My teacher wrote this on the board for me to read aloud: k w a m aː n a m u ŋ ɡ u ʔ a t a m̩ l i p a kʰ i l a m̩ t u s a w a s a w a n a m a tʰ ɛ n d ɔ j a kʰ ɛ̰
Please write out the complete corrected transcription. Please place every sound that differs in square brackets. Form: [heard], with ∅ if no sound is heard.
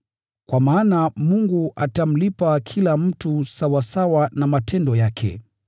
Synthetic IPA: k w a m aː n a m u ŋ ɡ u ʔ a t a m̩ l i p a kʰ i l a m̩ t u s a w a s a w a n a m a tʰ ɛ n d ɔ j a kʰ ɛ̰